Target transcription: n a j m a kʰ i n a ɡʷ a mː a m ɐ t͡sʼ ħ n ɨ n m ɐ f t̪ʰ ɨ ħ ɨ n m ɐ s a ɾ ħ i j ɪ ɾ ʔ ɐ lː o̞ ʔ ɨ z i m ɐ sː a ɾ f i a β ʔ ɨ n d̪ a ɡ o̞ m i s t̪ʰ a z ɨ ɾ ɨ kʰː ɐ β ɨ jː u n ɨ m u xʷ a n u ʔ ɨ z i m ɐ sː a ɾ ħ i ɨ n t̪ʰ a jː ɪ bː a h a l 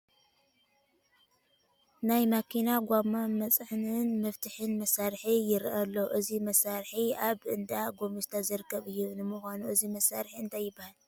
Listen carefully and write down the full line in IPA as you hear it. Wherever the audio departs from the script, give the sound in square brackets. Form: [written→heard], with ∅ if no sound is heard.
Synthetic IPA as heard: n a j m a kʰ i n a ɡʷ a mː a m ɐ t͡sʼ ħ n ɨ n m ɐ f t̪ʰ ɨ ħ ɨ n m ɐ s a ɾ ħ i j ɪ ɾ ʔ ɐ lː o̞ ʔ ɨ z i m ɐ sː a ɾ [f→ħ] i a β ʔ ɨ n d̪ a ɡ o̞ m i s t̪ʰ a z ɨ ɾ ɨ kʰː ɐ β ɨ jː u n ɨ m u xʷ a n u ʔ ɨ z i m ɐ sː a ɾ ħ i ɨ n t̪ʰ a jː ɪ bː a h a l

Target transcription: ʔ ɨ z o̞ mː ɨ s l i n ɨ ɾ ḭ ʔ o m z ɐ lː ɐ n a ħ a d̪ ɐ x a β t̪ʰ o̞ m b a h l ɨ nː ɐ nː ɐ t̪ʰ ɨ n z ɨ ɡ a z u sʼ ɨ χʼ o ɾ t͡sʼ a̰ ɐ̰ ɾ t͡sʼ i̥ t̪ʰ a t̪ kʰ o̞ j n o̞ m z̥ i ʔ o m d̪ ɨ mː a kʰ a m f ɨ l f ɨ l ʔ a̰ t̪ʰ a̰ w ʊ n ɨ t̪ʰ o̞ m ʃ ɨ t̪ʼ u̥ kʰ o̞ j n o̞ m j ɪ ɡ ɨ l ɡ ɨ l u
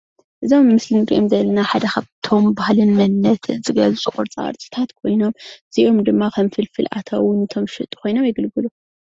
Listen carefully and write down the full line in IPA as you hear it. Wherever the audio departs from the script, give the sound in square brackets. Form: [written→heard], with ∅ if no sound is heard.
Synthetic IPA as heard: ʔ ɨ z o̞ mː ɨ s l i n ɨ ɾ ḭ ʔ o m z ɐ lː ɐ n a ħ a d̪ ɐ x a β t̪ʰ o̞ m b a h l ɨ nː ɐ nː ɐ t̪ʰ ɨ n z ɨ ɡ [a→ɐ] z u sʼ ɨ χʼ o ɾ t͡sʼ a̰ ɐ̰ ɾ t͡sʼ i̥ t̪ʰ a t̪ kʰ o̞ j n o̞ m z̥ i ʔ o m d̪ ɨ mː a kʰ [a→ɐ] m f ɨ l f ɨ l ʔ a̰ t̪ʰ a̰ w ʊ n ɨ t̪ʰ o̞ m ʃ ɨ t̪ʼ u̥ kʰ o̞ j n o̞ m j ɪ ɡ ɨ l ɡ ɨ l u

